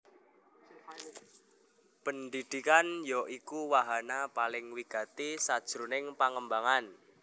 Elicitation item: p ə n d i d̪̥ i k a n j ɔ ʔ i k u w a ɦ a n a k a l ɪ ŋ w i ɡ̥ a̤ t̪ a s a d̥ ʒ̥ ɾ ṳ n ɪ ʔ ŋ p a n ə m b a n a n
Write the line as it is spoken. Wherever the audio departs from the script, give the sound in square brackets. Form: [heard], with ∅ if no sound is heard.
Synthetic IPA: p ə n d i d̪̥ i k a n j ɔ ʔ i k u w a ɦ a n a [p] a l ɪ ŋ w i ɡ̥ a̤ t̪ [i] s a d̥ ʒ̥ ɾ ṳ n ɪ [∅] ŋ p a [ŋ] ə m b a [ŋ] a n